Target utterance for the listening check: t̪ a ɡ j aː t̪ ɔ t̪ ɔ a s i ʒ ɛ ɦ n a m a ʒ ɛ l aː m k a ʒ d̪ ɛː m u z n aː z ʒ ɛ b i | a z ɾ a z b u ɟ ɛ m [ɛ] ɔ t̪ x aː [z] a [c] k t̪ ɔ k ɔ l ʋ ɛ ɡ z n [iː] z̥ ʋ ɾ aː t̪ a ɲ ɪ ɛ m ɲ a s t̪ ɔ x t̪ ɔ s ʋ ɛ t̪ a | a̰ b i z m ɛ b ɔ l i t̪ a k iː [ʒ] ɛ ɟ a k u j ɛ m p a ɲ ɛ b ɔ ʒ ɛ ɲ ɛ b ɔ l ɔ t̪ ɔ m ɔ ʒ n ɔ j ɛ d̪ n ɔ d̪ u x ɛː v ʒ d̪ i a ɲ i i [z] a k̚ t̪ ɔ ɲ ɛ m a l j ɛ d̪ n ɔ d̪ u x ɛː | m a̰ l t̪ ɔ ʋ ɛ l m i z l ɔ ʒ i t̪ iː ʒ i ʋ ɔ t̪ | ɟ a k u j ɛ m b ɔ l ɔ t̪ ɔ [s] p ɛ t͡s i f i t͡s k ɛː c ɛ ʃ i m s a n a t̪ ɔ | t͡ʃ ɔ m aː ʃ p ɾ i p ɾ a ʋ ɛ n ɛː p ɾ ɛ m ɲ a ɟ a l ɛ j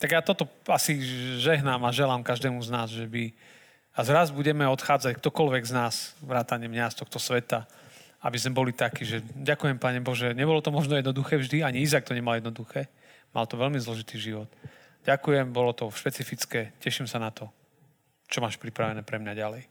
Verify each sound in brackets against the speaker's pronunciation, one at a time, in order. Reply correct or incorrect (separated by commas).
correct, incorrect, correct, incorrect, correct, correct, incorrect